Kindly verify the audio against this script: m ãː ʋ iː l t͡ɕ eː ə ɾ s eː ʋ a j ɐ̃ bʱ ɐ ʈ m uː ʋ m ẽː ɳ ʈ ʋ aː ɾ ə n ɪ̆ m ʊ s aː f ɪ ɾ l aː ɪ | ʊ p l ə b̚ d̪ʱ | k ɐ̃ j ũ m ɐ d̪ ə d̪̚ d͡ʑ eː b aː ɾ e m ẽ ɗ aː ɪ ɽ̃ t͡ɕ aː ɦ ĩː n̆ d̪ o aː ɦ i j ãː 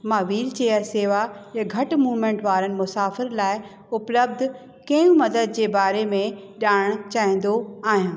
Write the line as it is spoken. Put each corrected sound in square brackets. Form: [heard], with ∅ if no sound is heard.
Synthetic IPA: m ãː ʋ iː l t͡ɕ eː ə ɾ s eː ʋ a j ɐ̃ [ɡʱ] ɐ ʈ m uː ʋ m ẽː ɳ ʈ ʋ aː ɾ ə n ɪ̆ m ʊ s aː f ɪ ɾ l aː ɪ | ʊ p l ə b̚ d̪ʱ | k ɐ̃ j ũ m ɐ d̪ ə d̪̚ d͡ʑ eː b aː ɾ e m ẽ ɗ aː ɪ ɽ̃ t͡ɕ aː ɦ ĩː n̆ d̪ o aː ɦ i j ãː

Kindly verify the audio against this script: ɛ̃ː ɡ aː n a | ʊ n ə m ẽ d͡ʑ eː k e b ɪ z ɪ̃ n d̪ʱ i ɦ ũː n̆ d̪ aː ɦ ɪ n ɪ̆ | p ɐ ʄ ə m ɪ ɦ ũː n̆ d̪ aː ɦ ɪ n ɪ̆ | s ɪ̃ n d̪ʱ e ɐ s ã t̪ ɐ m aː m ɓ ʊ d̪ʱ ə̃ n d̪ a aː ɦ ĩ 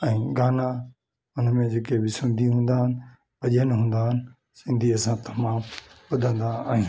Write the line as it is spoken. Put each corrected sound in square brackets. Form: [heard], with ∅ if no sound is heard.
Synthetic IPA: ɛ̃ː ɡ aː n a | ʊ n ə m ẽ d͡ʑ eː k e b ɪ [s] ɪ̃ n d̪ʱ i ɦ ũː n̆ d̪ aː ɦ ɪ n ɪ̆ | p ɐ ʄ ə [n] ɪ ɦ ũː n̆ d̪ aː ɦ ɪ n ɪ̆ | s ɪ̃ n d̪ʱ [i] ɐ s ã t̪ ɐ m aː m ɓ ʊ d̪ʱ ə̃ n d̪ a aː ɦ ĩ

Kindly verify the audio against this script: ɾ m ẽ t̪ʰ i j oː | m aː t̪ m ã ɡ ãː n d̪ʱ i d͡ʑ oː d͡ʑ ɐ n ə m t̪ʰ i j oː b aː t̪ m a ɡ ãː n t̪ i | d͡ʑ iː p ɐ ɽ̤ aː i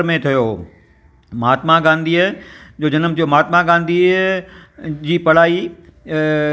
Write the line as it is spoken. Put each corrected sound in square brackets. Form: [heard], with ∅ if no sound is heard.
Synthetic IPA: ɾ m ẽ t̪ʰ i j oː | m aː t̪ m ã ɡ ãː n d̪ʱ i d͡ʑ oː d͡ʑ ɐ n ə m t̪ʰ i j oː [m] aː t̪ m a ɡ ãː n [d̪] i | d͡ʑ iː p ɐ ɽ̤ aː i

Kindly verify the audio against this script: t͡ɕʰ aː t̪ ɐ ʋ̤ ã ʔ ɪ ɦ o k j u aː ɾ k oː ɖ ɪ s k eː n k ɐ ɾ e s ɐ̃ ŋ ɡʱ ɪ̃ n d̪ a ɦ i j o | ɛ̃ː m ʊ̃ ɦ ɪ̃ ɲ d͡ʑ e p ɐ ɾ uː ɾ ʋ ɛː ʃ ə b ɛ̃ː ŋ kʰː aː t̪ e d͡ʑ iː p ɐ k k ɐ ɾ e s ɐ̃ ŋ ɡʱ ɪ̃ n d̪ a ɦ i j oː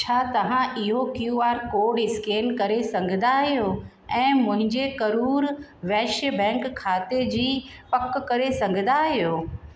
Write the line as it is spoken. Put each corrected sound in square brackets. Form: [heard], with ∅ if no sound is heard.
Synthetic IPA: t͡ɕʰ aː t̪ ɐ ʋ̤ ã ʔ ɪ ɦ o k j u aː ɾ k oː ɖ ɪ s k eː n k ɐ ɾ e s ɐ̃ ŋ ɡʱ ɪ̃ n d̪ a ɦ i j o | ɛ̃ː m ʊ̃ ɦ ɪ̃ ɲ d͡ʑ e [k] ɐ ɾ uː ɾ ʋ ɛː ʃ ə b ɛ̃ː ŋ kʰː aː t̪ e d͡ʑ iː p ɐ k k ɐ ɾ e s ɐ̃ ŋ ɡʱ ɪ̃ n d̪ a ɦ i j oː

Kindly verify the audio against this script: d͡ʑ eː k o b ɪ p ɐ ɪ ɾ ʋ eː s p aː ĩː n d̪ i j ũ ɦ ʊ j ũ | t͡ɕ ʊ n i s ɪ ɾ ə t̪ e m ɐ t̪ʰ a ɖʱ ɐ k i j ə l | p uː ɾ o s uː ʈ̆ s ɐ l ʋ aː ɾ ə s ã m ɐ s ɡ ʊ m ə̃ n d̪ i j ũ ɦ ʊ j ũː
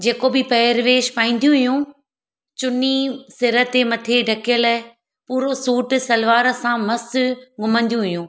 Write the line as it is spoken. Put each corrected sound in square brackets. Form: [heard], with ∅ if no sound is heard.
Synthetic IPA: d͡ʑ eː k o b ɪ p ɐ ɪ ɾ ʋ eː [ʃ] p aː ĩː n d̪ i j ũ ɦ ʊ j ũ | t͡ɕ ʊ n i s ɪ ɾ ə t̪ e m ɐ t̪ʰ [e] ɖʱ ɐ k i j ə l | p uː ɾ o s uː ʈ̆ s ɐ l ʋ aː ɾ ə s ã m ɐ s ɡ ʊ m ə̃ n d̪ i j ũ ɦ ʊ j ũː

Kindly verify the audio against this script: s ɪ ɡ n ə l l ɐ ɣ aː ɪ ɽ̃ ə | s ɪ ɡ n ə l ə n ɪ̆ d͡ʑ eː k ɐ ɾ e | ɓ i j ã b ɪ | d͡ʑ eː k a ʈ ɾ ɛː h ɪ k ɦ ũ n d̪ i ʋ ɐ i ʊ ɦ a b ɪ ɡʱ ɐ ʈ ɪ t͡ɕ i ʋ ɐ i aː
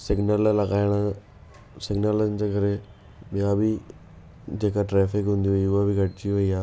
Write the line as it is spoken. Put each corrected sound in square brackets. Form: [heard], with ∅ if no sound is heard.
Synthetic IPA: s ɪ ɡ n ə l l ɐ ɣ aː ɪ ɽ̃ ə | s ɪ ɡ n ə l ə n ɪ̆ d͡ʑ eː k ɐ ɾ e | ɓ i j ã b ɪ | d͡ʑ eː k a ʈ ɾ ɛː [f] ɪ k ɦ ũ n d̪ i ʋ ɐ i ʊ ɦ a b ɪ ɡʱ ɐ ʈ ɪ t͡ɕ i ʋ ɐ i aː

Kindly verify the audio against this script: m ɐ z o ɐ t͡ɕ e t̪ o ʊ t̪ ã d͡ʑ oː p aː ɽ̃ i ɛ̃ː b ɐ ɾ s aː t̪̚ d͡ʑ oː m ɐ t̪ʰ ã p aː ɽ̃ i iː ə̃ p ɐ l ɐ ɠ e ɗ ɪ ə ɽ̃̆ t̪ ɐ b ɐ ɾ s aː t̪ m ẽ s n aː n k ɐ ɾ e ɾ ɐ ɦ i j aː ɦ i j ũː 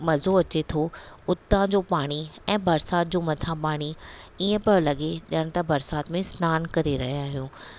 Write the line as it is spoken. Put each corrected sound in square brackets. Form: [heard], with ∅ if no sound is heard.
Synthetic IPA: m ɐ z o ɐ t͡ɕ e [t̪ʰ] o ʊ t̪ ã d͡ʑ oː p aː ɽ̃ i ɛ̃ː b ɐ ɾ s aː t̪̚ d͡ʑ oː m ɐ t̪ʰ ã p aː ɽ̃ i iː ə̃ p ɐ l ɐ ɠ e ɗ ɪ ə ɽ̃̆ t̪ ɐ b ɐ ɾ s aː t̪ m ẽ s n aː n k ɐ ɾ e ɾ ɐ ɦ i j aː ɦ i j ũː

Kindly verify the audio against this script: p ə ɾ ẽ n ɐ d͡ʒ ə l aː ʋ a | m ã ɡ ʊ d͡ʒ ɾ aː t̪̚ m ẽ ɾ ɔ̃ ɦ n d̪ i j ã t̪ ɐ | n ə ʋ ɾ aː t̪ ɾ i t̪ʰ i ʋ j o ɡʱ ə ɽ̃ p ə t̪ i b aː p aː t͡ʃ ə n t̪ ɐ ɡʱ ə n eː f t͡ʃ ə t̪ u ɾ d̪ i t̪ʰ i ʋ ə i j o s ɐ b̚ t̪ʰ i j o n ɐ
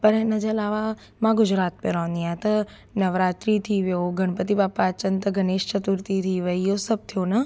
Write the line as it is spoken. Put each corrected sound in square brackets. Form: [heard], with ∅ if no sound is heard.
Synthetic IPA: p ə ɾ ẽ n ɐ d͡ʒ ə l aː ʋ a | m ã ɡ ʊ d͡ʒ ɾ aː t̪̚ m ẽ ɾ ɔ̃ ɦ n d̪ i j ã t̪ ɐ | n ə ʋ ɾ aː t̪ ɾ i t̪ʰ i ʋ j o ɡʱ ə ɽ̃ p ə t̪ i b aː p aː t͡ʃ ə n t̪ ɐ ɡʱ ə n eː [ʃ] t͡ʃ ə t̪ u ɾ [t̪] i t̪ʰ i ʋ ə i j o s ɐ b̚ t̪ʰ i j o n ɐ

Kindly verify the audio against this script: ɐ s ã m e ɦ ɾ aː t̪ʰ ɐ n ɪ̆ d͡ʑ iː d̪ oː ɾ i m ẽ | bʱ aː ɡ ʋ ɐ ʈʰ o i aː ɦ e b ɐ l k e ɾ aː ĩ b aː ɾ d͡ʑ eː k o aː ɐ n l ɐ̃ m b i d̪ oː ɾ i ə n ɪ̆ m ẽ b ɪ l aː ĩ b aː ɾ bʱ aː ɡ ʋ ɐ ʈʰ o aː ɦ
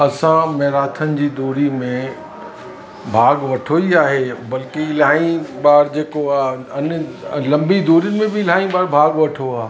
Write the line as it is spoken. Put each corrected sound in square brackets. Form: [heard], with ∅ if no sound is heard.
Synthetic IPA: ɐ s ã m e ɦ ɾ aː t̪ʰ [ə] n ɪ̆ d͡ʑ iː d̪ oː ɾ i m ẽ | bʱ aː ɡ ʋ ɐ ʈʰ o i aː ɦ e b ɐ l k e [l] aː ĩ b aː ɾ d͡ʑ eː k o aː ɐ n l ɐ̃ m b i d̪ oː ɾ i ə n ɪ̆ m ẽ b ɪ l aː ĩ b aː ɾ bʱ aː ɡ ʋ ɐ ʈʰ o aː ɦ

